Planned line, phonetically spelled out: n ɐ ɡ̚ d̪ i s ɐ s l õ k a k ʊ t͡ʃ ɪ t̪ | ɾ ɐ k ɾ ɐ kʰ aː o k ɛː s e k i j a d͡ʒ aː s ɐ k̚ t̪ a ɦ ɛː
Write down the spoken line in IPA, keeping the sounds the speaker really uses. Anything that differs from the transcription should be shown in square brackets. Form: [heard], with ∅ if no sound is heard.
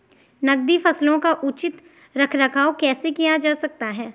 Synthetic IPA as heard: n ɐ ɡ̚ d̪ i [f] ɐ s l õ k a [ʔ] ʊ t͡ʃ ɪ t̪ | ɾ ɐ [kʰ] ɾ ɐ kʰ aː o k ɛː s e k i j a d͡ʒ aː s ɐ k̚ t̪ a ɦ ɛː